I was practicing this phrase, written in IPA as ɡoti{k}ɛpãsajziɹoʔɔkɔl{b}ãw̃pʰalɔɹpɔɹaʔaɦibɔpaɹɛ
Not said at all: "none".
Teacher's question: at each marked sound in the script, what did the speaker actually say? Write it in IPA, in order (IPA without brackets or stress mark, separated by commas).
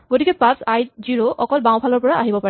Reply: k, b